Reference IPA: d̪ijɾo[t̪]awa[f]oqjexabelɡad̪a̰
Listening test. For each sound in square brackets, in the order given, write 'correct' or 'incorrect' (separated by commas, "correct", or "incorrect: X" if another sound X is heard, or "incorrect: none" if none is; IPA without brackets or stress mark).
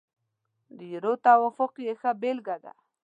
correct, correct